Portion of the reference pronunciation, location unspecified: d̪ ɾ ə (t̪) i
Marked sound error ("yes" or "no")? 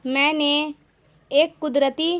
no